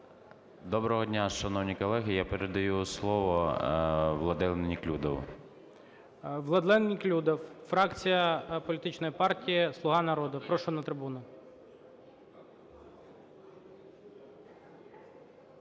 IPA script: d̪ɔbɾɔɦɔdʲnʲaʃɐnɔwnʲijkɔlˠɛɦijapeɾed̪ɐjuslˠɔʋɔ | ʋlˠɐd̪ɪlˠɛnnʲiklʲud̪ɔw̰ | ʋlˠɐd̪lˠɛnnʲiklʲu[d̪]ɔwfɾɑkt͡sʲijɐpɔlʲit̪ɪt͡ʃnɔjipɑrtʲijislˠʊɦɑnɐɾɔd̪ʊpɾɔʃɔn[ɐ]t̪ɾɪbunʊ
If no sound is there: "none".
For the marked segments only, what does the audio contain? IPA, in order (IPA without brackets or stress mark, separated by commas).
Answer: d̪, ɐ